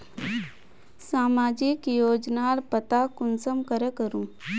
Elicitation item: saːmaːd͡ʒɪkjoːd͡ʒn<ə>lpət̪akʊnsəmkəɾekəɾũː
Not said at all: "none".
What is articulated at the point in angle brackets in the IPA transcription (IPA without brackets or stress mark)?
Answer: a